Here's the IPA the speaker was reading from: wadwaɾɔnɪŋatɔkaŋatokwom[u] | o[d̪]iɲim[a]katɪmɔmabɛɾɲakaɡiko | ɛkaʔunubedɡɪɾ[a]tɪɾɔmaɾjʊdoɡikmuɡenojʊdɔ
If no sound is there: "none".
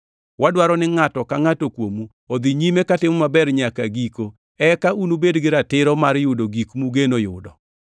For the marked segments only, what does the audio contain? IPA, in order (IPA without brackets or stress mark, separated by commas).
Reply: u, d̪, e, a